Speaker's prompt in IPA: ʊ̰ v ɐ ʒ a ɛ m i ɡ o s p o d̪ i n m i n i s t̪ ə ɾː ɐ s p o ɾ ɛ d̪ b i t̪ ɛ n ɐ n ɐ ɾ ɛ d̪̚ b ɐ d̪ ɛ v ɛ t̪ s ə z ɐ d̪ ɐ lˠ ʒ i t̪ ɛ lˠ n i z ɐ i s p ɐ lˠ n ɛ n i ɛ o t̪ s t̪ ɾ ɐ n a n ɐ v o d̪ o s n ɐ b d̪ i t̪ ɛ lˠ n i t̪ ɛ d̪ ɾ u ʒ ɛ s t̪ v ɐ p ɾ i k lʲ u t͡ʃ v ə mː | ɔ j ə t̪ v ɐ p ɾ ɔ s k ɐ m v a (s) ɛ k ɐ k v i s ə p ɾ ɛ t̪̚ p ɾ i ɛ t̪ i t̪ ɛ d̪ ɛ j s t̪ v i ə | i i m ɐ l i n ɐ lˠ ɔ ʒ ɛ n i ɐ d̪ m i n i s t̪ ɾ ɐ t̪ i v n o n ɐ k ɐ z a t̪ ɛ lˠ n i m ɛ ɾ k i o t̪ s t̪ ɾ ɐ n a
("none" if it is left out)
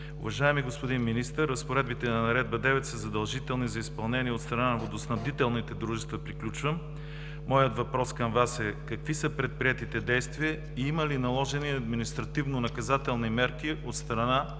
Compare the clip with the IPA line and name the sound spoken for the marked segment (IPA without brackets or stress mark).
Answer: s